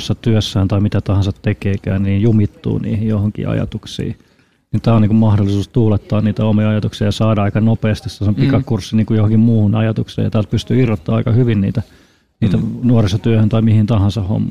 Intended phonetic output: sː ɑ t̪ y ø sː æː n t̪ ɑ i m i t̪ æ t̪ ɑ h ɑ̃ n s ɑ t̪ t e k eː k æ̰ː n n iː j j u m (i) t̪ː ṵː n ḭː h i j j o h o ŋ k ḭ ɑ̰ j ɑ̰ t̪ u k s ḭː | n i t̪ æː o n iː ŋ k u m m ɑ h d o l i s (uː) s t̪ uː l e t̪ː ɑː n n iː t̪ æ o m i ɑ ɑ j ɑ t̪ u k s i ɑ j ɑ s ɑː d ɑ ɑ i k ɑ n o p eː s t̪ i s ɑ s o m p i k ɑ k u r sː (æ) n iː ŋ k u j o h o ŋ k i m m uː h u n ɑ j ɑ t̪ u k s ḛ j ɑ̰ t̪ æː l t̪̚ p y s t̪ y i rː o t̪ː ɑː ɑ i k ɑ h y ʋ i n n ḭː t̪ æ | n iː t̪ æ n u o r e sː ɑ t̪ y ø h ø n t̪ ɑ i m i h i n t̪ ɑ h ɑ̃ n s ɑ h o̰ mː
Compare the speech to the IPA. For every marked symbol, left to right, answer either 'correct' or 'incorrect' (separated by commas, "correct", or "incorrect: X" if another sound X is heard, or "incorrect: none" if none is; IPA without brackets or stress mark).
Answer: correct, correct, incorrect: i